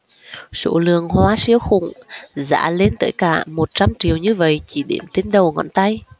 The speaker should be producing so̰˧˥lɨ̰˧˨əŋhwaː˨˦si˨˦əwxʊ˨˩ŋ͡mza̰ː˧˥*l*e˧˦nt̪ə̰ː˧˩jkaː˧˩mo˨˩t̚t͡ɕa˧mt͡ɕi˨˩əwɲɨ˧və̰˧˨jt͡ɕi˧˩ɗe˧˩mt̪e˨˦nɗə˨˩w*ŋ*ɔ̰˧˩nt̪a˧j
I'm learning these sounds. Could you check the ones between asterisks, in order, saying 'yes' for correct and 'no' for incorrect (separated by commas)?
yes, yes